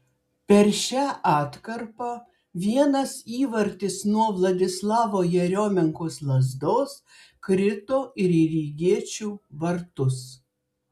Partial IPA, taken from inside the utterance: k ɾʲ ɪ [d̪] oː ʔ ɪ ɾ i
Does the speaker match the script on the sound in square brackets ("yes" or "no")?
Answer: no